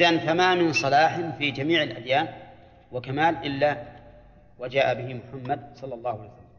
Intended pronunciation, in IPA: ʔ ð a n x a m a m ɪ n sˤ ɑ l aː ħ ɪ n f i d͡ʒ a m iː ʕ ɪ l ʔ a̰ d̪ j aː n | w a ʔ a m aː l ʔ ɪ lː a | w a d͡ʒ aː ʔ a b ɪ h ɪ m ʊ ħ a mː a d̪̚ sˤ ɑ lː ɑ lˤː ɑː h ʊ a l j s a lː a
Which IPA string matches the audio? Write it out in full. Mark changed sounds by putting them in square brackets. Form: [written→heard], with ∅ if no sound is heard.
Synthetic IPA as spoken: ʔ ð a n [x→f] a m a m ɪ n sˤ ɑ l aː ħ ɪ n f i d͡ʒ a m iː ʕ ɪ l ʔ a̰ d̪ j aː n | w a [ʔ→k] a m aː l ʔ ɪ lː a | w a d͡ʒ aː ʔ a b ɪ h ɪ m ʊ ħ a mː a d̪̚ sˤ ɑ lː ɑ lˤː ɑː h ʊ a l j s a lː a